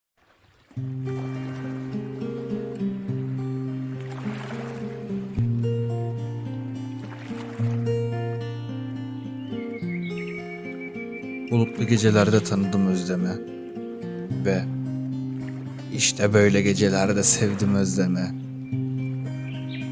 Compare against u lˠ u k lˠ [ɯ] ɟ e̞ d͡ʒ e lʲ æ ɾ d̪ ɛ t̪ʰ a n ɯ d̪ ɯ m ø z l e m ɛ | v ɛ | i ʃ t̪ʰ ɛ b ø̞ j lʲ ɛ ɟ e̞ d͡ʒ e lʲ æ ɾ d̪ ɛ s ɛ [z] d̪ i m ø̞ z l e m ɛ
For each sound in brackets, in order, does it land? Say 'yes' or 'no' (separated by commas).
no, no